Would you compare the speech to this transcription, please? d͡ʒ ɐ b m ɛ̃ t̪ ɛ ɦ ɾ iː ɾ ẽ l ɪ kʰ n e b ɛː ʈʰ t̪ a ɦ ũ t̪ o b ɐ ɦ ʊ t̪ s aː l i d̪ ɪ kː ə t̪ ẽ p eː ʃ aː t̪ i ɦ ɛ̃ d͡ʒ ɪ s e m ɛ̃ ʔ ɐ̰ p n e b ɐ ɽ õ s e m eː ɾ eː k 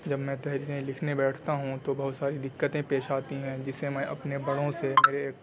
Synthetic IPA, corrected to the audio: d͡ʒ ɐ b m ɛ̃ t̪ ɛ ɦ ɾ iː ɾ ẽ l ɪ kʰ n e b ɛː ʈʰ t̪ a ɦ ũ t̪ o b ɐ ɦ ʊ t̪ s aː ɾ i d̪ ɪ kː ə t̪ ẽ p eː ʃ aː t̪ i ɦ ɛ̃ d͡ʒ ɪ s e m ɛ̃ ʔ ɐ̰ p n e b ɐ ɽ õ s e m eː ɾ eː k

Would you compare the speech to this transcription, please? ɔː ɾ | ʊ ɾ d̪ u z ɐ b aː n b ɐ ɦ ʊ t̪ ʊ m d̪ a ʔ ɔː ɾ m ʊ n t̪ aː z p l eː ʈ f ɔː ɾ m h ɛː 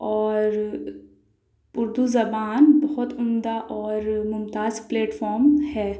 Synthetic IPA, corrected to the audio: ɔː ɾ | ʊ ɾ d̪ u z ɐ b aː n b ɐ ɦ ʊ t̪ ʊ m d̪ a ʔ ɔː ɾ m ʊ m t̪ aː z p l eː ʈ f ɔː ɾ m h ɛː

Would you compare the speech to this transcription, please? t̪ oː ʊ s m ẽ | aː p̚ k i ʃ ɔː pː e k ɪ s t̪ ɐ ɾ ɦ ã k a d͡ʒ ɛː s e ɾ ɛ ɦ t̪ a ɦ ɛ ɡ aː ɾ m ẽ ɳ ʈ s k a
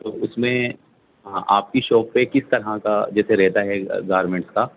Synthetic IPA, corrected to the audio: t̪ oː ʊ s m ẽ | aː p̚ k i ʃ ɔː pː e k ɪ s t̪ ɐ ɾ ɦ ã k a d͡ʒ ɛː s e ɾ ɛ ɦ t̪ a ɦ ɛ ɡ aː ɾ m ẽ ɳ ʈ s k a

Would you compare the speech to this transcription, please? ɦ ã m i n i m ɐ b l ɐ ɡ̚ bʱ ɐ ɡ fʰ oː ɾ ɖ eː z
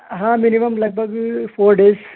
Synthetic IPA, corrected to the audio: ɦ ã m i n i m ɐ m l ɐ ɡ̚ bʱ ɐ ɡ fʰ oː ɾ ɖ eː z

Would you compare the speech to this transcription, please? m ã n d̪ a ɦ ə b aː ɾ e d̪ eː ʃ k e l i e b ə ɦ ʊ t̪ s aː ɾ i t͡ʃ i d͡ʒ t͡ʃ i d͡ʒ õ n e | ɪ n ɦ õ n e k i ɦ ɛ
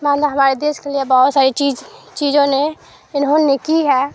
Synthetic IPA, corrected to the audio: m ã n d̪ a ɦ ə m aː ɾ e d̪ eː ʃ k e l i e b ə ɦ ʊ t̪ s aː ɾ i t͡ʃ i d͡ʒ t͡ʃ i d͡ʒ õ n e | ɪ n ɦ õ n e k i ɦ ɛ

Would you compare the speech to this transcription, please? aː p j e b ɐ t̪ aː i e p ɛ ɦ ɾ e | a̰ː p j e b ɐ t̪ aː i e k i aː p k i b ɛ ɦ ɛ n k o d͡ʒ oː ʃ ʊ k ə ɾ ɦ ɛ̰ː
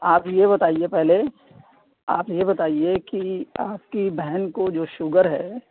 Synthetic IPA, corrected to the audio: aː p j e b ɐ t̪ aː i e p ɛ ɦ l e | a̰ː p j e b ɐ t̪ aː i e k i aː p k i b ɛ ɦ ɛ n k o d͡ʒ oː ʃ ʊ ɡ ə ɾ ɦ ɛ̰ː

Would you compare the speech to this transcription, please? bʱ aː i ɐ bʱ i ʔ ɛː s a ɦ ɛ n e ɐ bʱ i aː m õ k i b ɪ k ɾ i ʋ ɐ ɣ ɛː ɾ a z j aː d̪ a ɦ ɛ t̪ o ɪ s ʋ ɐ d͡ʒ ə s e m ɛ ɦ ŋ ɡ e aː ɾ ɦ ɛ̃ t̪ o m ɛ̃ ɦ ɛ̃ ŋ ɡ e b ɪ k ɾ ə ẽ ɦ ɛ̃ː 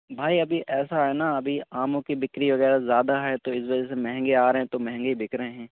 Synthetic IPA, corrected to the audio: bʱ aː i ɐ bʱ i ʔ ɛː s a ɦ ɛ n a ɐ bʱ i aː m õ k i b ɪ k ɾ i ʋ ɐ ɣ ɛː ɾ a z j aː d̪ a ɦ ɛ t̪ o ɪ s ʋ ɐ d͡ʒ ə s e m ɛ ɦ ŋ ɡ e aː ɾ ɦ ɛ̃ t̪ o m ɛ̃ ɦ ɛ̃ ŋ ɡ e b ɪ k ɾ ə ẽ ɦ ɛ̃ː

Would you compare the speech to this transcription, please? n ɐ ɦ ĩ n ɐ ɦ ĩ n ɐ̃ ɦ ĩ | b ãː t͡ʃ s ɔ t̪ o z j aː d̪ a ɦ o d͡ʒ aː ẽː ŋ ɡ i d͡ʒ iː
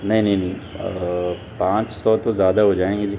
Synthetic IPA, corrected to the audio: n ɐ ɦ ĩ n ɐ ɦ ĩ n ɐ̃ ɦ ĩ | p ãː t͡ʃ s ɔ t̪ o z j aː d̪ a ɦ o d͡ʒ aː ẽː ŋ ɡ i d͡ʒ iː

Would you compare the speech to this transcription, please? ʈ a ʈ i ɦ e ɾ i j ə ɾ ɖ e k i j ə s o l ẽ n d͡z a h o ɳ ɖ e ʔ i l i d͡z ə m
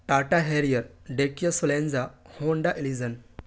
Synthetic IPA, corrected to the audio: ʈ a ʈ a ɦ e ɾ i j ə ɾ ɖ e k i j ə s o l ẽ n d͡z a h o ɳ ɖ a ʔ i l i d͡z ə n

